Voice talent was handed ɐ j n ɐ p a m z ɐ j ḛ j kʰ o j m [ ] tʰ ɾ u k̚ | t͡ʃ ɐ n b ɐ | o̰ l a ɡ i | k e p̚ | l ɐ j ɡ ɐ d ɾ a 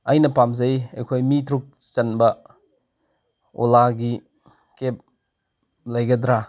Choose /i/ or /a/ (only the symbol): i